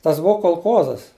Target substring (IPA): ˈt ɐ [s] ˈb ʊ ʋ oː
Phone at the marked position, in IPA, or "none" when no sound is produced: s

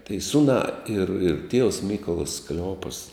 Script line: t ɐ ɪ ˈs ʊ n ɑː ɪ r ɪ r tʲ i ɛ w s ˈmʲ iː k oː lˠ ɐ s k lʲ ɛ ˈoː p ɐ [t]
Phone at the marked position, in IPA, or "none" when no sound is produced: s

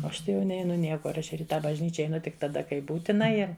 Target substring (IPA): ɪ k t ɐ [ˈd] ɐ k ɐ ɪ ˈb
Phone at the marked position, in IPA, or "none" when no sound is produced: d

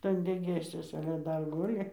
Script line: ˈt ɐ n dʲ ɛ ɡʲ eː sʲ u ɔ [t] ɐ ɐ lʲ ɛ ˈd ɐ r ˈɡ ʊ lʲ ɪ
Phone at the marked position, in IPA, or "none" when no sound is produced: s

